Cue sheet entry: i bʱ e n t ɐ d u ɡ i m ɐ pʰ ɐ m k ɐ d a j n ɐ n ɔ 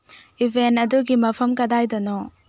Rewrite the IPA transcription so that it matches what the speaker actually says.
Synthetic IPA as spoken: i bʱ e n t ɐ d u ɡ i m ɐ pʰ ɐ m k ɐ d a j d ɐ n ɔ